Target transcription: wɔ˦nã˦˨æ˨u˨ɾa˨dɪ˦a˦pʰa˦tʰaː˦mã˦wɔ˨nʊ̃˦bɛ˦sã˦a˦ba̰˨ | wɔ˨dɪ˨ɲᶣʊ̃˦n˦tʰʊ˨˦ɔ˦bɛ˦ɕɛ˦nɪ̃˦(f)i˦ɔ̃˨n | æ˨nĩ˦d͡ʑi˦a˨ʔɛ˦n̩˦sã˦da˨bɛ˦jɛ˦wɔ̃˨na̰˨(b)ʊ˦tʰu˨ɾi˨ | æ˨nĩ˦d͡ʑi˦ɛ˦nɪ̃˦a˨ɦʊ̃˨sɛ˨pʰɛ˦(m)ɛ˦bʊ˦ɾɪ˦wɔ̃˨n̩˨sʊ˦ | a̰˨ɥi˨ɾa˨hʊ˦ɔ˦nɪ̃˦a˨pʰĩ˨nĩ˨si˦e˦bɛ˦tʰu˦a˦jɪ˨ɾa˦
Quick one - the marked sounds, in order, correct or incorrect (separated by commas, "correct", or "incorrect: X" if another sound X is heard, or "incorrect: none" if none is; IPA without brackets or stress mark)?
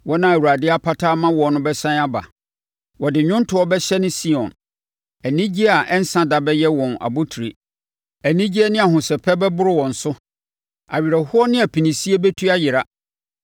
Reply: incorrect: s, correct, incorrect: b